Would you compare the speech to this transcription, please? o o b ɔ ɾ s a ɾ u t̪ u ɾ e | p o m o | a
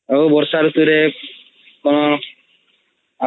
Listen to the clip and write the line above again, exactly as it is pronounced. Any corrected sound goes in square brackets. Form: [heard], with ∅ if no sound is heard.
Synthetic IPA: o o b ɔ ɾ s a ɾ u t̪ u ɾ e | [k] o [n] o | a